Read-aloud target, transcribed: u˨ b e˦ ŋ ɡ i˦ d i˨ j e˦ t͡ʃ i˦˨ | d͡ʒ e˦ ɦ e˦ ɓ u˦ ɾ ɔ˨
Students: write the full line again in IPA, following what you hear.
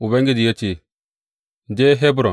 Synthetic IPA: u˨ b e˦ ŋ ɡ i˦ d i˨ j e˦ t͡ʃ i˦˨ | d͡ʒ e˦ ɦ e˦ b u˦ ɾ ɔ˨